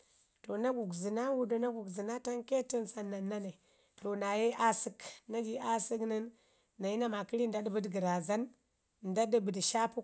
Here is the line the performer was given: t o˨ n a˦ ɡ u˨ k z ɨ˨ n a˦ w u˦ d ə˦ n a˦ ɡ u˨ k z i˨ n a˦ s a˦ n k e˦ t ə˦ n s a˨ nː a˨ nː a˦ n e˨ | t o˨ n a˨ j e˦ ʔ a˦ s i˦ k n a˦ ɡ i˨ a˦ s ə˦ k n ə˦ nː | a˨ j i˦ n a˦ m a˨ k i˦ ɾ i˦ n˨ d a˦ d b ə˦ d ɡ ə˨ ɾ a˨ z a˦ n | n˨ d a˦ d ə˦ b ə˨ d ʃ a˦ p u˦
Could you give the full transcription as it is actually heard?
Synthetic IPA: t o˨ n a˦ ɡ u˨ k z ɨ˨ n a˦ w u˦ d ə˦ n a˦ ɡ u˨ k z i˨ n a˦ t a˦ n k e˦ t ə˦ n s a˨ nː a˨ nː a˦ n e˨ | t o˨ n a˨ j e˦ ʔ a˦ s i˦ k n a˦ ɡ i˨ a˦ s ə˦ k n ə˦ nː | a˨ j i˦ n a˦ m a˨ k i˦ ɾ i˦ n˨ d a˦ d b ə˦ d ɡ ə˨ ɾ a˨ z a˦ n | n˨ d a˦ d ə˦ b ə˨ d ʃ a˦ p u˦